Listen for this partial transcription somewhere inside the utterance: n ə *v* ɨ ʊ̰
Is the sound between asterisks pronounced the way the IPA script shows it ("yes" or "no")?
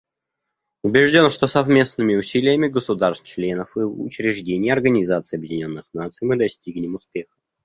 no